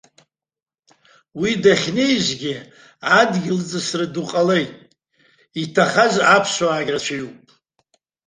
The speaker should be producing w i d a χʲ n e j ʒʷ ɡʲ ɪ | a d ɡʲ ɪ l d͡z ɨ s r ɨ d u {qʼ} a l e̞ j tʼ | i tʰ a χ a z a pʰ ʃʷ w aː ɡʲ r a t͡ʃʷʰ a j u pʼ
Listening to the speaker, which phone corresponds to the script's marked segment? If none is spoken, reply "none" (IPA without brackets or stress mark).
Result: qʼ